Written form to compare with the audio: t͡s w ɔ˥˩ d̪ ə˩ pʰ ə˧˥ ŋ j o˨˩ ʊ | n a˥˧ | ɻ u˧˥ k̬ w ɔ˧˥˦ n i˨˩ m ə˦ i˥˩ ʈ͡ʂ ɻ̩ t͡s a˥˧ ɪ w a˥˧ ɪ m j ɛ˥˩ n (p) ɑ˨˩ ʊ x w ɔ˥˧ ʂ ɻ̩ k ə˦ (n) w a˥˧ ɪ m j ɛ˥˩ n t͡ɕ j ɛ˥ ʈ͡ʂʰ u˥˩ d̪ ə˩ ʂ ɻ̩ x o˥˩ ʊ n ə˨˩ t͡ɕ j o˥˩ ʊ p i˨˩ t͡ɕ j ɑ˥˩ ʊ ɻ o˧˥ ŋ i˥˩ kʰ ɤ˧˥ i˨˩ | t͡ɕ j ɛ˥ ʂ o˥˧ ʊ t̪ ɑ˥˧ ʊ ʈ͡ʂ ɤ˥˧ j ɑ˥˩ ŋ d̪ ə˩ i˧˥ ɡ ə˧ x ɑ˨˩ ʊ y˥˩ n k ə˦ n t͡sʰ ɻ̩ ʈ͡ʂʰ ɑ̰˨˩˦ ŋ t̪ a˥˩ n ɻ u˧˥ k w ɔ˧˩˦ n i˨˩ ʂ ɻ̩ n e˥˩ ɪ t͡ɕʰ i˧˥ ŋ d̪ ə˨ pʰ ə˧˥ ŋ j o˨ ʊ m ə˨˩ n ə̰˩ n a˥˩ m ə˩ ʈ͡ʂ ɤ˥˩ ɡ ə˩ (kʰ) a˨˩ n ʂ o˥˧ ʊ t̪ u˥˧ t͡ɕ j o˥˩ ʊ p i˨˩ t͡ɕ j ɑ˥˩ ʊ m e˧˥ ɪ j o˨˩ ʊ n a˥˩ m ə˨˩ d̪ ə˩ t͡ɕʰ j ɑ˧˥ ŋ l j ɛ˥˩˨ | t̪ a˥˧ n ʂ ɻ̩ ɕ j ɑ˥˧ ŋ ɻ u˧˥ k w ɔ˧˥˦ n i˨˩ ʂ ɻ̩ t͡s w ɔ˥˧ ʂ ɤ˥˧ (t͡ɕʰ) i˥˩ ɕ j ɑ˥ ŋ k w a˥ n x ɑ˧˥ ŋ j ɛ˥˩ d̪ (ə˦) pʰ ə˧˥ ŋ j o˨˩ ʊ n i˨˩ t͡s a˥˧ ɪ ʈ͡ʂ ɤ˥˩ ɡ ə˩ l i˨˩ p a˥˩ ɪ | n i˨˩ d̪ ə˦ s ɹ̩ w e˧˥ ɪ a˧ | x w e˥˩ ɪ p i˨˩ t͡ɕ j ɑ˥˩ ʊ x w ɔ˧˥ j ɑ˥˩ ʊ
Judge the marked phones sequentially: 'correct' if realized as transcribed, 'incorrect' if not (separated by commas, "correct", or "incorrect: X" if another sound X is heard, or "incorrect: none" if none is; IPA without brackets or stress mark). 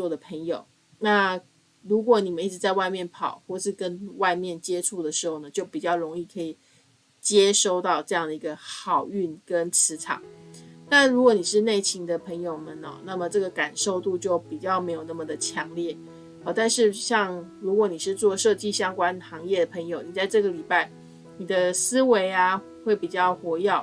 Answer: incorrect: pʰ, correct, incorrect: k, incorrect: t͡ɕ, incorrect: ə˩